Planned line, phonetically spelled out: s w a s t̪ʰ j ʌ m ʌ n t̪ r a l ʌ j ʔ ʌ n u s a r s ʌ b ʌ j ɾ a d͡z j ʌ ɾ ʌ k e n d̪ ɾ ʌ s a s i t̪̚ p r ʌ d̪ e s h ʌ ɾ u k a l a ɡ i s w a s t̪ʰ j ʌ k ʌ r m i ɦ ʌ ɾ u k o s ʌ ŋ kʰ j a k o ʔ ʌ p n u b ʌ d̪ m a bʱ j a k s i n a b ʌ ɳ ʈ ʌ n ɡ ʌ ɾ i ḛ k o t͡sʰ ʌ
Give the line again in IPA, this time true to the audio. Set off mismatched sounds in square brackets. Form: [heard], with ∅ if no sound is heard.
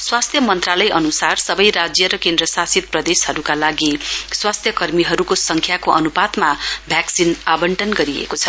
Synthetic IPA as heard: s w a s t̪ʰ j ʌ m ʌ n t̪ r a l ʌ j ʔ ʌ n u s a r s ʌ b ʌ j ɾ a d͡z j ʌ ɾ ʌ k e n d̪ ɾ ʌ s a s i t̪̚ p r ʌ d̪ e s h ʌ ɾ u k a l a ɡ i s w a s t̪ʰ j ʌ k ʌ r m i ɦ ʌ ɾ u k o s ʌ ŋ kʰ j a k o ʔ ʌ [∅] n u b [a] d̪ m a bʱ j a k s i n a b ʌ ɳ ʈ ʌ n ɡ ʌ ɾ i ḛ k o t͡sʰ ʌ

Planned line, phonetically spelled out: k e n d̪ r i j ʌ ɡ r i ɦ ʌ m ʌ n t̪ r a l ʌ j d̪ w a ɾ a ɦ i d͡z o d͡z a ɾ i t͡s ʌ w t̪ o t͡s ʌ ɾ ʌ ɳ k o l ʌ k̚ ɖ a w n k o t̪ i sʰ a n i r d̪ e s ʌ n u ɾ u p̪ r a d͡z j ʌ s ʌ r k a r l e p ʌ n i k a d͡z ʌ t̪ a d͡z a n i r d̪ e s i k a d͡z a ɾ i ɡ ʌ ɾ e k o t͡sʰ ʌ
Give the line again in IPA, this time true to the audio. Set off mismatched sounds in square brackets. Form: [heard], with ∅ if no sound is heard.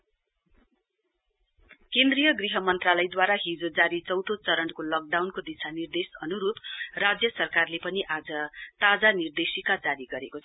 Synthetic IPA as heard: k e n d̪ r i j ʌ ɡ r i ɦ ʌ m ʌ n t̪ r a l ʌ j d̪ w a ɾ a ɦ i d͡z o d͡z a ɾ i t͡s ʌ w t̪ o t͡s ʌ ɾ ʌ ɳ k o l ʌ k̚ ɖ a w n k o [d̪] i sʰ a n i r d̪ e s ʌ n u ɾ u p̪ r a d͡z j ʌ s ʌ r k a r l e p ʌ n i [ʔ] a d͡z ʌ t̪ a d͡z a n i r d̪ e s i k a d͡z a ɾ i ɡ ʌ ɾ e k o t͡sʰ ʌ

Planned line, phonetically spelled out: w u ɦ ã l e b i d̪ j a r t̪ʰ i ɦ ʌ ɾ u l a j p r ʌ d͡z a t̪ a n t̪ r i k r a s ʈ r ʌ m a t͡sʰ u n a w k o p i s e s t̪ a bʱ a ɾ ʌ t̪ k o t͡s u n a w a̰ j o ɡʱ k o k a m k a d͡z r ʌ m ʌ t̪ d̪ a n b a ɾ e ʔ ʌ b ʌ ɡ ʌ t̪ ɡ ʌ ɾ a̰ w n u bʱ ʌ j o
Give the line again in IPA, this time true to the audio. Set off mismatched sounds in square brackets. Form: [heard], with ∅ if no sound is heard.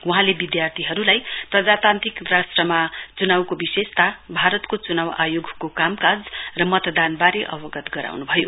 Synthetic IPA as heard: w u ɦ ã l e b i d̪ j a r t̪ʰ i ɦ ʌ ɾ u l a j p r ʌ d͡z a t̪ a n t̪ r i k r a s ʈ r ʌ m a [t͡s] u n a w k o [b] i s e s t̪ a bʱ a ɾ ʌ t̪ k o t͡s u n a w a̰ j o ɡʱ k o k a m k a d͡z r ʌ m ʌ t̪ d̪ a n b a ɾ e ʔ ʌ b ʌ ɡ ʌ t̪ ɡ ʌ ɾ a̰ w n u bʱ ʌ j o

